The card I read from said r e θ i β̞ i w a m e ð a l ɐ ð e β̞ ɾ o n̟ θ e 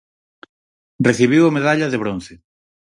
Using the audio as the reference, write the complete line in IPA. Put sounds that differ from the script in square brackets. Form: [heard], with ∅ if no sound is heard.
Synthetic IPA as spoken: r e θ i β̞ i w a m e ð a [ʎ] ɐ ð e β̞ ɾ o n̟ θ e